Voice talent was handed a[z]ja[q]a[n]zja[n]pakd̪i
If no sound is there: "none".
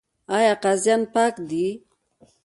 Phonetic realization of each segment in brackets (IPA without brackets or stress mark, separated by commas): none, q, none, n